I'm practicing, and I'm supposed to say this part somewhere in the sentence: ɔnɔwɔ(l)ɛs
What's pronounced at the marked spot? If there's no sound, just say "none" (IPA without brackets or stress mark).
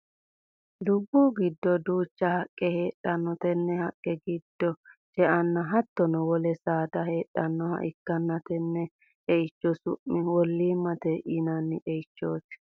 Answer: l